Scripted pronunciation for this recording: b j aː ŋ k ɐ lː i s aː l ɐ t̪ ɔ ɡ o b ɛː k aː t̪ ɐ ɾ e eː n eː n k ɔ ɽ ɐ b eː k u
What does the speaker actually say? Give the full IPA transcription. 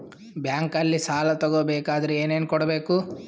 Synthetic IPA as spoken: b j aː ŋ k ɐ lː i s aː l ɐ t̪ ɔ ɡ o b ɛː k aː d̪ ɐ ɾ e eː n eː n k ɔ ɽ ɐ b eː k u